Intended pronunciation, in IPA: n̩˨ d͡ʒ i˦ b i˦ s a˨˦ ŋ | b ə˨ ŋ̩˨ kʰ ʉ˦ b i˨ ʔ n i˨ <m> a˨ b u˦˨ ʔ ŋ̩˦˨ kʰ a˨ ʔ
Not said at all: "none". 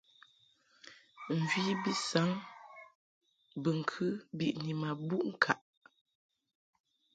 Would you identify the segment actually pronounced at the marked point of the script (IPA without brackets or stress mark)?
m